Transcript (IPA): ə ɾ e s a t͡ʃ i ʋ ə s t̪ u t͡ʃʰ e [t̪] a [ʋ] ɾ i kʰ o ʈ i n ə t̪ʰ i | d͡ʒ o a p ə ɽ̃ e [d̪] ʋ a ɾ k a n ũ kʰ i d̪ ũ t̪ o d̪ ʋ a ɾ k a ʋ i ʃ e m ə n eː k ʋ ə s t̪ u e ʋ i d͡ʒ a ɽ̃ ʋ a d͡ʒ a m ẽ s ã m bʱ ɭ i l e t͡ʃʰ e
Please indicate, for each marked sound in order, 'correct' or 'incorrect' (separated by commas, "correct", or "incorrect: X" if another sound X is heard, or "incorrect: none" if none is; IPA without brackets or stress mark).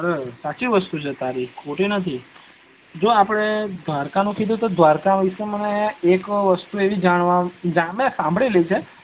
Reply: correct, incorrect: none, correct